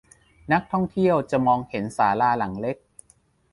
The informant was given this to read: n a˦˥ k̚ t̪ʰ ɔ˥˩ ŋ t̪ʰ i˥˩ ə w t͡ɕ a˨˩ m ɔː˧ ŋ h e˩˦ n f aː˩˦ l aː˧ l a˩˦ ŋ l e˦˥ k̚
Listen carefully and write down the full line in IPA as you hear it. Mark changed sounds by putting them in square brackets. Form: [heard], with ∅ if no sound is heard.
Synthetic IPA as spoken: n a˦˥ k̚ t̪ʰ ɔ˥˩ ŋ t̪ʰ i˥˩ ə w t͡ɕ a˨˩ m ɔː˧ ŋ h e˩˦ n [s] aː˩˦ l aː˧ l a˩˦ ŋ l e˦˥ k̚